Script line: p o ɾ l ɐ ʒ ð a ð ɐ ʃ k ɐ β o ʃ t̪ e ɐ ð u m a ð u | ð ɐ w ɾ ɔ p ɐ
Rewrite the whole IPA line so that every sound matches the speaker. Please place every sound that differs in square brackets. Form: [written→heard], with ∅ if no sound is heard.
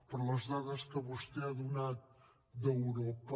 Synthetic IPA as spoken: p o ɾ l ɐ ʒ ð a ð ɐ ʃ k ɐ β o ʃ t̪ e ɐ ð u [m→n] a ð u | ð ɐ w ɾ ɔ p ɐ